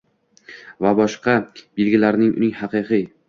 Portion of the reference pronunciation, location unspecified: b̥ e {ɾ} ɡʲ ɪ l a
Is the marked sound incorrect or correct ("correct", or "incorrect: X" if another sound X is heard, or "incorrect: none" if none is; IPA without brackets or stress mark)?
incorrect: l